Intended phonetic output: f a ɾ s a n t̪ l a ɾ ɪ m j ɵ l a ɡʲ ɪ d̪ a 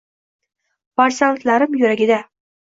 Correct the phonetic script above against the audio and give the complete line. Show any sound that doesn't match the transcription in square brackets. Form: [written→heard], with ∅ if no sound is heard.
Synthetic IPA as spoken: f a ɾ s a n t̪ l a ɾ ɪ m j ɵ [l→ɾ] a ɡʲ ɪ d̪ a